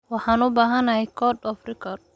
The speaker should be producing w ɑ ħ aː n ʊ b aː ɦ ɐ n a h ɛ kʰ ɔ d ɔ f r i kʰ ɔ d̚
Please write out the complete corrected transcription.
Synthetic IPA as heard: w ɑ ħ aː n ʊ b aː ɦ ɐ n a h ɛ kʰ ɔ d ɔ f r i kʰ ɔ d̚